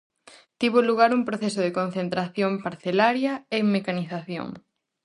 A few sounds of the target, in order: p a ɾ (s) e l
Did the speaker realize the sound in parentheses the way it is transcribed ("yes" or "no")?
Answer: no